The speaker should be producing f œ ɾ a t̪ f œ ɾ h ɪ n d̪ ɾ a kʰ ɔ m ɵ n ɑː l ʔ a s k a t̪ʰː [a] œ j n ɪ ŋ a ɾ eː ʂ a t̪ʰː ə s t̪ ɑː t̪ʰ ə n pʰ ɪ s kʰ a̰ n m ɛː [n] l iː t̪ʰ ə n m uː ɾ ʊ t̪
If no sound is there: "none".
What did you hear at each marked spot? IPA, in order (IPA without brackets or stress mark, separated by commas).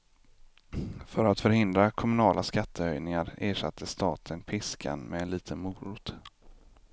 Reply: ə, n